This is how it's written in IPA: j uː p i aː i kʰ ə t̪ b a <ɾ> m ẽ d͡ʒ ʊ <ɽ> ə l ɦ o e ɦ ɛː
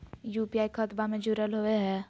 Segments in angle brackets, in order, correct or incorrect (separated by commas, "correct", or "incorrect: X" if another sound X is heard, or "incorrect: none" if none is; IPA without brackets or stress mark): incorrect: none, incorrect: ɾ